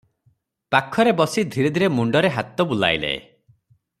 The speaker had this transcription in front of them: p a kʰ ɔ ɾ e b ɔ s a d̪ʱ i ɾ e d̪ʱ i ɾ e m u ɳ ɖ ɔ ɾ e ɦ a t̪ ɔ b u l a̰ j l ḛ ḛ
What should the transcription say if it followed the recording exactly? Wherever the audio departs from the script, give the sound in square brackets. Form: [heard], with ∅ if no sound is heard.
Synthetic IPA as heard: p a kʰ ɔ ɾ e b ɔ s [i] d̪ʱ i ɾ e d̪ʱ i ɾ e m u ɳ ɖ ɔ ɾ e ɦ a t̪ ɔ b u l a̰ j l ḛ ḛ